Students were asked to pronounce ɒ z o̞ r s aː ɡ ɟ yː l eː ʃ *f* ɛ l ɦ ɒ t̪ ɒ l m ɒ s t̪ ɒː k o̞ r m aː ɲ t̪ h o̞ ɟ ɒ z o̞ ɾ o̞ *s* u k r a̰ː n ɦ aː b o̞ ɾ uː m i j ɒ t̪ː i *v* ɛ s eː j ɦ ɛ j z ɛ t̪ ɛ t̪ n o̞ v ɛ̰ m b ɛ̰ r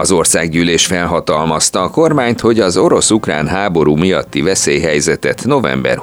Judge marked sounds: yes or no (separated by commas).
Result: yes, yes, yes